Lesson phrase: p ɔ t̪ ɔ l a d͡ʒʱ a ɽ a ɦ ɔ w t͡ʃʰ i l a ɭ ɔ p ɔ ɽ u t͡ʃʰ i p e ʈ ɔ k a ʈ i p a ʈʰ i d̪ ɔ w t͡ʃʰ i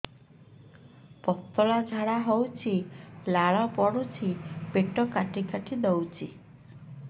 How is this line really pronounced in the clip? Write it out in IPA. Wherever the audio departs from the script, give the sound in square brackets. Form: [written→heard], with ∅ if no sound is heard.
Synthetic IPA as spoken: p ɔ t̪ ɔ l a d͡ʒʱ a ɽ a ɦ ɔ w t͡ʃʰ i l a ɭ ɔ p ɔ ɽ u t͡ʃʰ i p e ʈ ɔ k a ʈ i [p→k] a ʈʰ i d̪ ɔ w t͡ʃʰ i